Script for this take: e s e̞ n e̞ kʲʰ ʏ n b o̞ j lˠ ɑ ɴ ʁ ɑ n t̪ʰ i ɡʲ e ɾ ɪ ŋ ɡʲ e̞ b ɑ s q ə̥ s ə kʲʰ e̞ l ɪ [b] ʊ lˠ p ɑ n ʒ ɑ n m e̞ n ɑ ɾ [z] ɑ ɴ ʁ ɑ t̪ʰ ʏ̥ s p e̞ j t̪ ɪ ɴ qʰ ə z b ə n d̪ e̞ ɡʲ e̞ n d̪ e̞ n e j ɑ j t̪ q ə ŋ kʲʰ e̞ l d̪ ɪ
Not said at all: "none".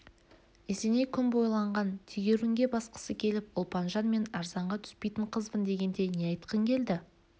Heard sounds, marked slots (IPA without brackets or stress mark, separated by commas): p, z